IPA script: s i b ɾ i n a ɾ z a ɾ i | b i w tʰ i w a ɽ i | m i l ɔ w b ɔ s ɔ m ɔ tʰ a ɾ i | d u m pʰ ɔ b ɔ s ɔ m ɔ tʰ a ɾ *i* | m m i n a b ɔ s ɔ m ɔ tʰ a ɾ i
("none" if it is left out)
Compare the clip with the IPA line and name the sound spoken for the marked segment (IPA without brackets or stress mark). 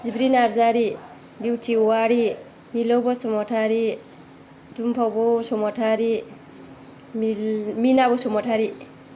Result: i